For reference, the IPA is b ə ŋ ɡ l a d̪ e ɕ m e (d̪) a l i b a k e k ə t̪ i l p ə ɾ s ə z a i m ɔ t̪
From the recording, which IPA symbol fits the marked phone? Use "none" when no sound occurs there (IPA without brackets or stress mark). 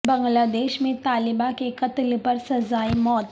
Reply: t̪